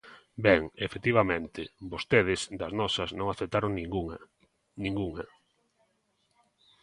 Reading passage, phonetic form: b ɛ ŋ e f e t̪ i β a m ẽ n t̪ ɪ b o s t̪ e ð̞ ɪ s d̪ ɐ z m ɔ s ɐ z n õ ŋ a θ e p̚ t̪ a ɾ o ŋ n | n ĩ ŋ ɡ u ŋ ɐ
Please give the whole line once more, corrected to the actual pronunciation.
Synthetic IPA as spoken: b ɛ ŋ e f e t̪ i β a m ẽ n t̪ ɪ b o s t̪ e ð̞ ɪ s d̪ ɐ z n ɔ s ɐ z n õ ŋ a θ e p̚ t̪ a ɾ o ŋ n | n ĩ ŋ ɡ u ŋ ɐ